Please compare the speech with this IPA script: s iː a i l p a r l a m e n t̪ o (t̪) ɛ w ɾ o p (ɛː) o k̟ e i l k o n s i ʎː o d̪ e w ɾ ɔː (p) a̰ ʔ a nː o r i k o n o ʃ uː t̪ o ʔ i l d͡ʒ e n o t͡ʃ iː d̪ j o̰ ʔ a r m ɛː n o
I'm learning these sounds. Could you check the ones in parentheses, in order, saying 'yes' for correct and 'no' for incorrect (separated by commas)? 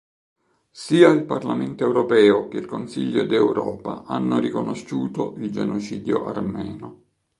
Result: no, yes, yes